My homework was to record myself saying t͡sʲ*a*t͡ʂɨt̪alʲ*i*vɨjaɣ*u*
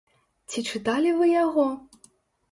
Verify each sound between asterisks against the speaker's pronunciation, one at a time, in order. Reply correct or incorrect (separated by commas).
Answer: incorrect, correct, incorrect